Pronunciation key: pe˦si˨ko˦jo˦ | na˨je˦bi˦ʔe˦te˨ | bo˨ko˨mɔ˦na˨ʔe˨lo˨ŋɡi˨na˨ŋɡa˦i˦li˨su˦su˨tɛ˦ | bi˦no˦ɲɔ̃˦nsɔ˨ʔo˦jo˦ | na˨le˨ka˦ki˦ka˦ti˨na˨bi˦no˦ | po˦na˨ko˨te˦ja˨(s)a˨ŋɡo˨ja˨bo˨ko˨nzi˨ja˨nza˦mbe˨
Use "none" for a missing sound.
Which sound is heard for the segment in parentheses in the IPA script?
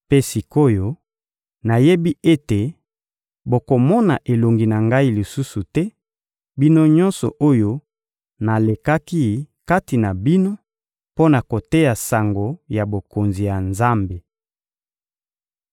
s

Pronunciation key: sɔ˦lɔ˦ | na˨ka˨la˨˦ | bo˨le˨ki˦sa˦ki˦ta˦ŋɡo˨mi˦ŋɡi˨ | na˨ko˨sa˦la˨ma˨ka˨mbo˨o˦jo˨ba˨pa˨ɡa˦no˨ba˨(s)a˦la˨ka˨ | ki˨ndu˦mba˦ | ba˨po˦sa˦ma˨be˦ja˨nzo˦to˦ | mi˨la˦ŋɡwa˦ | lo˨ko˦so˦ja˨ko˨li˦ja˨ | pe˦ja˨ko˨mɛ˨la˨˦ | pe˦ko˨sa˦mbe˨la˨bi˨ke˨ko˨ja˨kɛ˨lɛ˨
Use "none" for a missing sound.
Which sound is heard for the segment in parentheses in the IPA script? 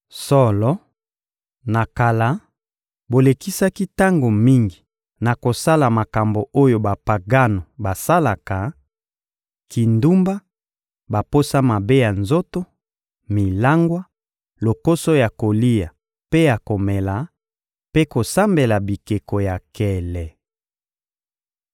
s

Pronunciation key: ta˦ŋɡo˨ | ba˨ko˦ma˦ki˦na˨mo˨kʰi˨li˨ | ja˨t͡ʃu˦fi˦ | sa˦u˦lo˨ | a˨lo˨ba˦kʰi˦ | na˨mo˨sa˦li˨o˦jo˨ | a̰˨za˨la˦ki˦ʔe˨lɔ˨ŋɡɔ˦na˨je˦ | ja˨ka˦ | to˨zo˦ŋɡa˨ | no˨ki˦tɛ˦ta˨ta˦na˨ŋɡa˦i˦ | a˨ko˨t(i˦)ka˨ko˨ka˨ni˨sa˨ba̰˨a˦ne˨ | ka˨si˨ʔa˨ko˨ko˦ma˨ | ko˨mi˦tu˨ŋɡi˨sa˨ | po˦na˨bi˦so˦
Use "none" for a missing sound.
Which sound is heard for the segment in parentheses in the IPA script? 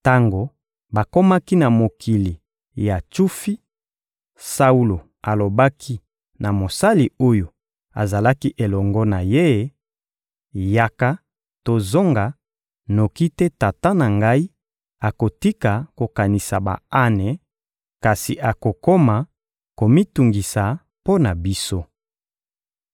i˦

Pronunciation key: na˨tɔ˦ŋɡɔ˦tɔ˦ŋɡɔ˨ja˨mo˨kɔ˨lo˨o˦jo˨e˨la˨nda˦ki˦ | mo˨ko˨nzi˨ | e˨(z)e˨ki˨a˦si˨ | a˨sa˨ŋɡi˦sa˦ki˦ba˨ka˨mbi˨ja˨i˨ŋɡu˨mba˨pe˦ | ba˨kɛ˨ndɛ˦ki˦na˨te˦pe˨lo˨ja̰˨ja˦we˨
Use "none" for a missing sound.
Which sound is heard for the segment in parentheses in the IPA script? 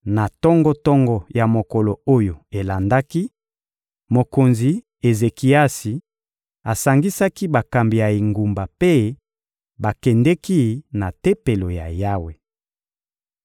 z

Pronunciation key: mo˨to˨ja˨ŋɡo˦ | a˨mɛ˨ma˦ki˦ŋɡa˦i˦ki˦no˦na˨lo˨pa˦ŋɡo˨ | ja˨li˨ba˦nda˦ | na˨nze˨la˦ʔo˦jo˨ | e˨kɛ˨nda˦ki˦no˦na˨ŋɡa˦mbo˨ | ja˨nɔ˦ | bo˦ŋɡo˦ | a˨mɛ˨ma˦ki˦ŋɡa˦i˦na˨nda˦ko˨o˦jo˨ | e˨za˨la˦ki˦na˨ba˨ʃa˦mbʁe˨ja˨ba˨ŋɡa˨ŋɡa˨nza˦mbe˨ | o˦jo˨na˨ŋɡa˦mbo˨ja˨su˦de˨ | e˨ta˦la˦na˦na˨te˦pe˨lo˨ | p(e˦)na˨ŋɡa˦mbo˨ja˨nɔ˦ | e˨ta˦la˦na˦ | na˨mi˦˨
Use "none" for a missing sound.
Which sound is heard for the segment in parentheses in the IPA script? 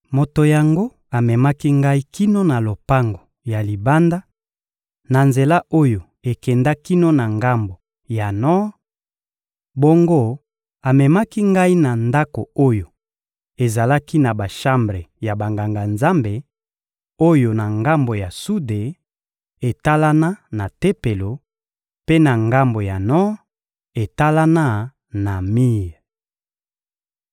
e˦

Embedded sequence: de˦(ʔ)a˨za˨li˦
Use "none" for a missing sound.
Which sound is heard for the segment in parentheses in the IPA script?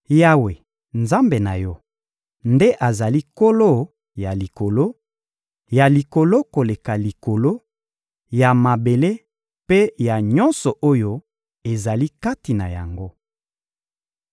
ʔ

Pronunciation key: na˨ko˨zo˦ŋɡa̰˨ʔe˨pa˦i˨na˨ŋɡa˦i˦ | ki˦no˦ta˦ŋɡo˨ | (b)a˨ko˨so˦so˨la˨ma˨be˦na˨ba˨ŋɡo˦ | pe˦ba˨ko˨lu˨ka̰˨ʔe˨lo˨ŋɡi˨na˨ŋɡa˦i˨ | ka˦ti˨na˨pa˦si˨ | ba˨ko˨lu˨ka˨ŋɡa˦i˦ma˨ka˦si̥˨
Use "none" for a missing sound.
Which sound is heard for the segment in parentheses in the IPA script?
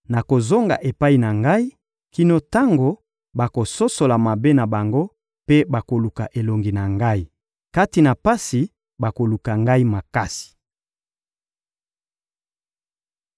b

